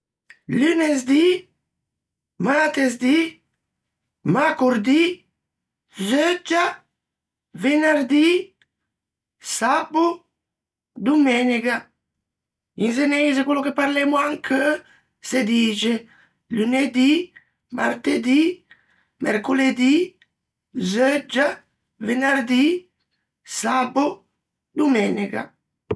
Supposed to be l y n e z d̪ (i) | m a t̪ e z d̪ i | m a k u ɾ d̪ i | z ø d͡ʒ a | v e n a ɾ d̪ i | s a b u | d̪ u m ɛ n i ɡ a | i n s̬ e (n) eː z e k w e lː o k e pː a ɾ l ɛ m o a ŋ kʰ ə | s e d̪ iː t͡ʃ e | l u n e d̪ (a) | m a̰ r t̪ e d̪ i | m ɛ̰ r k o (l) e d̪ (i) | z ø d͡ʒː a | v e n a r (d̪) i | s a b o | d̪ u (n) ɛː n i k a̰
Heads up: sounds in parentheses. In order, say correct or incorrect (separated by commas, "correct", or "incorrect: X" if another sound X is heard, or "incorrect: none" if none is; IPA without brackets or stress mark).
correct, correct, incorrect: i, correct, correct, correct, incorrect: m